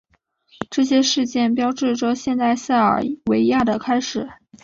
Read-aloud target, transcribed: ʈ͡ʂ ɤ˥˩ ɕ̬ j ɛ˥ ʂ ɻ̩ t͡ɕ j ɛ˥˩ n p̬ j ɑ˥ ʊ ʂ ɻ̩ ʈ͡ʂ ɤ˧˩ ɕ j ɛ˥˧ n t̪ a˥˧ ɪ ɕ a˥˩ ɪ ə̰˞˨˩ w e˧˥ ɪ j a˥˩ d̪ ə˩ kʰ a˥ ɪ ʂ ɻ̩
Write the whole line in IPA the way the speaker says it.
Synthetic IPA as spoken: ʈ͡ʂ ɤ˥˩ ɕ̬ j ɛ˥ ʂ ɻ̩ t͡ɕ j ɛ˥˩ n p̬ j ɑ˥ ʊ ʈ͡ʂ ɻ̩ ʈ͡ʂ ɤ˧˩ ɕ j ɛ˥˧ n t̪ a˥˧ ɪ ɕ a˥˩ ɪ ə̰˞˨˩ w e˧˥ ɪ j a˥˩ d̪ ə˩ kʰ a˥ ɪ ʂ ɻ̩